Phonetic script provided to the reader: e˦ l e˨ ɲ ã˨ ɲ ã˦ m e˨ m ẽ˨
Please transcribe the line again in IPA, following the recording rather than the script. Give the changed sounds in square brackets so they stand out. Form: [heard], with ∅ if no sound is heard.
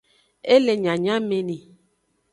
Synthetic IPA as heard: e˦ l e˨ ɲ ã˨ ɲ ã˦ m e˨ [n] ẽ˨

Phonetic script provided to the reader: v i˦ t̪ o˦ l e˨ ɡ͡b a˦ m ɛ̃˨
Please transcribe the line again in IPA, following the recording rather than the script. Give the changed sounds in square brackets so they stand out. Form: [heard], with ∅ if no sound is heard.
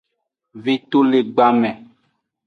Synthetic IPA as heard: v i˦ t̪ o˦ l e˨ ɡ͡b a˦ m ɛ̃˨

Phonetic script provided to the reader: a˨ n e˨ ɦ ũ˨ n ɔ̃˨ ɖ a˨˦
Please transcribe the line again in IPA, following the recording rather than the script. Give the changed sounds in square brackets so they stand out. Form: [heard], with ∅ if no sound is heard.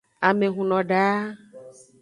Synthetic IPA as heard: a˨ [m] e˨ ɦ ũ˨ n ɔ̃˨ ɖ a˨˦

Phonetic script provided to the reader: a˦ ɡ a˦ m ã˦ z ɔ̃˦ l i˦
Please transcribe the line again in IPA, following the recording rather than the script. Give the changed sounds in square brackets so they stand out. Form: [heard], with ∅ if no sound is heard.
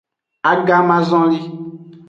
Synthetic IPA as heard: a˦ ɡ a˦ m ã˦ z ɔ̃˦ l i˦

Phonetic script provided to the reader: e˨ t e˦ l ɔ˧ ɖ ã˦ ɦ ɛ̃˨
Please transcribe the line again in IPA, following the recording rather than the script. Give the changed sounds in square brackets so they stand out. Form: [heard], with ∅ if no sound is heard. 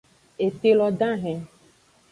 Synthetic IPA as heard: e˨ t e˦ l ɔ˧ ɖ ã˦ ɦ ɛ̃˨

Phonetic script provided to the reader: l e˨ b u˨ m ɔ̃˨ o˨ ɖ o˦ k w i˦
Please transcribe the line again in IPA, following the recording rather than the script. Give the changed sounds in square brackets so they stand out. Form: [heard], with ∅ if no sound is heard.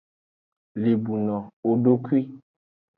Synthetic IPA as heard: l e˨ b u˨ [n] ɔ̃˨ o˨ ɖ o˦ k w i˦

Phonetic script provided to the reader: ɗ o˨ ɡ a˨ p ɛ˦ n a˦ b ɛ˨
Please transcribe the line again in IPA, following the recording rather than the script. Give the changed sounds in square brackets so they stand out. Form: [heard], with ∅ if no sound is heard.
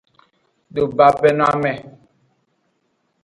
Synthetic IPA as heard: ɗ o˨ [b] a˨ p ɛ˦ n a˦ [m] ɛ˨

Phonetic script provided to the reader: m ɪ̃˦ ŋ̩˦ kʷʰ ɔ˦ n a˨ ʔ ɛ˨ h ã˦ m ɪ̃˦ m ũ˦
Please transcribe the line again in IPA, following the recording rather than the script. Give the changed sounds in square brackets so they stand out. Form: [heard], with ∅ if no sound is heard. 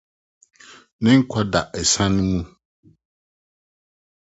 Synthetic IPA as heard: [n] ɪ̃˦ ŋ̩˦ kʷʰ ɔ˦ [d] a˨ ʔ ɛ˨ [s] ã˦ [n] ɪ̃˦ m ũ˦

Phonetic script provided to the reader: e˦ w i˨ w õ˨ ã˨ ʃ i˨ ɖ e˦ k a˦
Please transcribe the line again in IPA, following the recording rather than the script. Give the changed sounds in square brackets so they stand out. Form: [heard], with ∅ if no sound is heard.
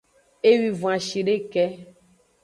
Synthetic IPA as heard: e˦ w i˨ [v] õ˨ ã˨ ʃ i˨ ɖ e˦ k [ɛ˦]

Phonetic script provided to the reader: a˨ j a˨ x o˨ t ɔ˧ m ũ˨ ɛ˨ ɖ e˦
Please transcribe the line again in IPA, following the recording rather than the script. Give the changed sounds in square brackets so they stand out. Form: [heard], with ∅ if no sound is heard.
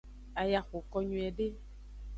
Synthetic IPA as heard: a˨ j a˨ x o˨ [k] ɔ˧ [ɲ] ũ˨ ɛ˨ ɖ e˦

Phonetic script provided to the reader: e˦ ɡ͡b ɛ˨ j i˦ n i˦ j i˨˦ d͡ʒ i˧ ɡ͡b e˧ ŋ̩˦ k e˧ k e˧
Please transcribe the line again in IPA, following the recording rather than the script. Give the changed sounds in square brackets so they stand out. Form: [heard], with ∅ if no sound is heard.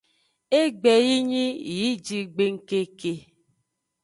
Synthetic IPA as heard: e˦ ɡ͡b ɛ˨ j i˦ [ɲ] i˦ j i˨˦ d͡ʒ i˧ ɡ͡b e˧ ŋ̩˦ k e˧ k e˧

